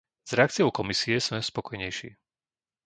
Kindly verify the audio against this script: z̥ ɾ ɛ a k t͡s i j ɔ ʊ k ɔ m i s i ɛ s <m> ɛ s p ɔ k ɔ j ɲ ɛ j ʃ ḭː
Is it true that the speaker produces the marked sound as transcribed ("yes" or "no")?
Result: yes